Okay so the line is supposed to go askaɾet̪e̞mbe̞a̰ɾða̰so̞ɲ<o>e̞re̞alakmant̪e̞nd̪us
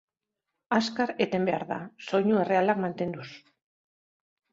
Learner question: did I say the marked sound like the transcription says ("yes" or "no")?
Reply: no